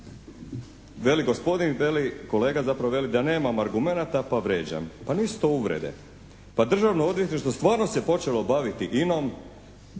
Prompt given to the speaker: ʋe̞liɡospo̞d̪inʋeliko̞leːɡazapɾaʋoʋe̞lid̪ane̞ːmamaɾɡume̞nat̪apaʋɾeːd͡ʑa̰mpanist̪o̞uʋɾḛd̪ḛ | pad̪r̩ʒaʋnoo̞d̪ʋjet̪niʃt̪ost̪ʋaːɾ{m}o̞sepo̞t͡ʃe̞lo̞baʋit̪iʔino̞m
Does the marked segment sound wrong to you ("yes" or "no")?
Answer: yes